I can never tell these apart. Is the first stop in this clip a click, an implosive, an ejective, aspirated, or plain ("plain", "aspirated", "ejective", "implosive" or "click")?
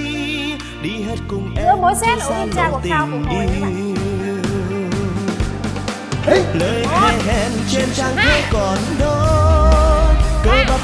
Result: implosive